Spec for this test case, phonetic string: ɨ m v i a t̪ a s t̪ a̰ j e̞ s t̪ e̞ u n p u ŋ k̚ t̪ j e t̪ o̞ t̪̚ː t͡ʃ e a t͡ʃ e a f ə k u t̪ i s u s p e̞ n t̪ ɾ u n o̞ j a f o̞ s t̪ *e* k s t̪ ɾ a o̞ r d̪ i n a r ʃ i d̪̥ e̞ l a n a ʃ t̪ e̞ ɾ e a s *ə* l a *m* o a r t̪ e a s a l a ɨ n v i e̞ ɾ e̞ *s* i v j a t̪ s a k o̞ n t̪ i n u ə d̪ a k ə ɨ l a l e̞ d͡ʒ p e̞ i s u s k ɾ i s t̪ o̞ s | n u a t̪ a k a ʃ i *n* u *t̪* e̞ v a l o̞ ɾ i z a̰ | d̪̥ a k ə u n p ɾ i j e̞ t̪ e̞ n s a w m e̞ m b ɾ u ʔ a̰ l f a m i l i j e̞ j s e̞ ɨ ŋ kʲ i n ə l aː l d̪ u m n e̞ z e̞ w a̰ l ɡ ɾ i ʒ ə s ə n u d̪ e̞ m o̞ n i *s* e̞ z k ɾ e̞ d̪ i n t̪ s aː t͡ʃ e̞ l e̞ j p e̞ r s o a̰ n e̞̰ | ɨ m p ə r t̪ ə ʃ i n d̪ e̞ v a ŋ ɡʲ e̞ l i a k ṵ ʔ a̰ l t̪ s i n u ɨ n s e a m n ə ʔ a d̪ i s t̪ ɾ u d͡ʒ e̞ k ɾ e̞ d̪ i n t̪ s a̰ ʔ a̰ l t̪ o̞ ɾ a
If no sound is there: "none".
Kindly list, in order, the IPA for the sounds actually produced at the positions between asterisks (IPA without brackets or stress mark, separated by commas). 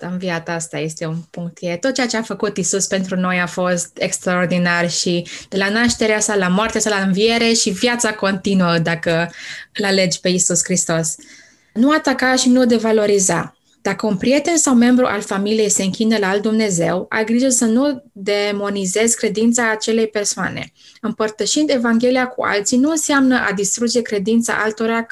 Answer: e, a, m, ʃ, n, d̪, z